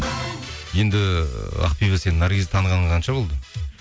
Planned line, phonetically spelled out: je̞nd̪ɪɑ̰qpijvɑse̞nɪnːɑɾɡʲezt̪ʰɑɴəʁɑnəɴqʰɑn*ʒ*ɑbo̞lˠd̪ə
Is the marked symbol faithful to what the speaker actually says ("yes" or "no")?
no